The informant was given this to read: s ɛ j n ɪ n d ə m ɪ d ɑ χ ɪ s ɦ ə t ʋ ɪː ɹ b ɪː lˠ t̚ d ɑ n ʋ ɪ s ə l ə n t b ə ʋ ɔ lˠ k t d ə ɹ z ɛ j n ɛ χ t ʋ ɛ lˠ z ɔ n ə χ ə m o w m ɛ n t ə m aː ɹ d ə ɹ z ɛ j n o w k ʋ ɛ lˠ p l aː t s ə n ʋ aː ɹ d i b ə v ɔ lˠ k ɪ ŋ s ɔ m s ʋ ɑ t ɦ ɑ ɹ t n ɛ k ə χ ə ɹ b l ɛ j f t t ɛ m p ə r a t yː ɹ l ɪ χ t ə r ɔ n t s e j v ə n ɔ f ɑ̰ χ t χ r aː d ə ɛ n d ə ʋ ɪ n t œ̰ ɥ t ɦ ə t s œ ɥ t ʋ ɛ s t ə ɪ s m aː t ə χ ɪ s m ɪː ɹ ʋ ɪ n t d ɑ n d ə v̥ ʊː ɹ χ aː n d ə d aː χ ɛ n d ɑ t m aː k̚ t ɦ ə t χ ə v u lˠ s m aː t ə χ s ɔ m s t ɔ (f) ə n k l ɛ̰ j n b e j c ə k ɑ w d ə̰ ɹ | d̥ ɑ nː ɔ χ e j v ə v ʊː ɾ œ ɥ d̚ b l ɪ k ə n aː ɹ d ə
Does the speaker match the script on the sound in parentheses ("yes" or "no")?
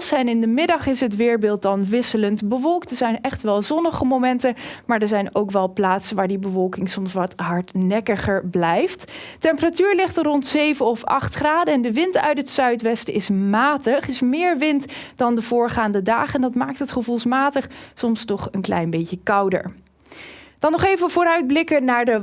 no